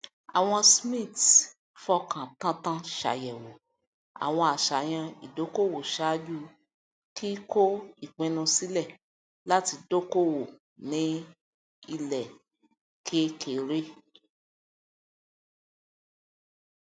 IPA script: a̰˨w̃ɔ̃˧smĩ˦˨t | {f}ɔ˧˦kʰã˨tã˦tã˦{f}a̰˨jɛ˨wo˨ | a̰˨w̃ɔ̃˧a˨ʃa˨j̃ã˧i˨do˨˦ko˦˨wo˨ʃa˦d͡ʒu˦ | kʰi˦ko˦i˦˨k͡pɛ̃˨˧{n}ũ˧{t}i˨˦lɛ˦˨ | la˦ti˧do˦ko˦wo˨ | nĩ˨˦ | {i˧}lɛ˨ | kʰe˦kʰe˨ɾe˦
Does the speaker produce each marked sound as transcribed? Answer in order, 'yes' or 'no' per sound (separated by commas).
yes, no, yes, no, yes